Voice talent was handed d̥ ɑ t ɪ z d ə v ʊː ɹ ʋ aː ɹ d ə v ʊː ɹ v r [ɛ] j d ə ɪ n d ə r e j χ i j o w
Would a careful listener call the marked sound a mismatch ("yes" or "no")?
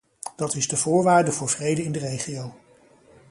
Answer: yes